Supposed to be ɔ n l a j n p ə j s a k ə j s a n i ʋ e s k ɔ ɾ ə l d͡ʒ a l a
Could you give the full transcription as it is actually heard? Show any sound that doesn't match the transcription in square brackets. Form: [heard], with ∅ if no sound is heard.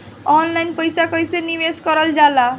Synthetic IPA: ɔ n l a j n p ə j s a k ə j s [e] n i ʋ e s k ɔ ɾ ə l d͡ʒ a l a